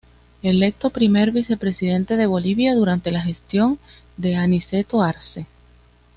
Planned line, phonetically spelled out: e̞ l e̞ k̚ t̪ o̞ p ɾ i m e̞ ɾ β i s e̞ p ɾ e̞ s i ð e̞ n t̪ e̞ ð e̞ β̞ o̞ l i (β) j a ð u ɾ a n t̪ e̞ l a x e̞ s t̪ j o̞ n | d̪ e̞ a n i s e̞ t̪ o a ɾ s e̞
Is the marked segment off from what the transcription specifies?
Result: no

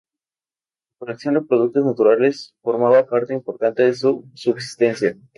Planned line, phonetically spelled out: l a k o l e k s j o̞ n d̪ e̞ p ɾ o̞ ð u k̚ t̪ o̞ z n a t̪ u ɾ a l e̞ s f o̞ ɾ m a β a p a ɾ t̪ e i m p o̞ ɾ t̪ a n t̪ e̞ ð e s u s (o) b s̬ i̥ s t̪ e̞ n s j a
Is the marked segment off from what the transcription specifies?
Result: yes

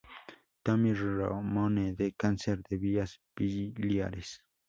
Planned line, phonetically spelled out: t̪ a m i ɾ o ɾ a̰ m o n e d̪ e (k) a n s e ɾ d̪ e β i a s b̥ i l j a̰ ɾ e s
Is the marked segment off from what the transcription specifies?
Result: no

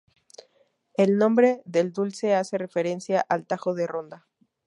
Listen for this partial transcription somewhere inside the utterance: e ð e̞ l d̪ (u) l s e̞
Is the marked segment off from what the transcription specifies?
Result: no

